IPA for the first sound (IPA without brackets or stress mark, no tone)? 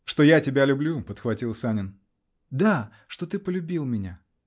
ʂ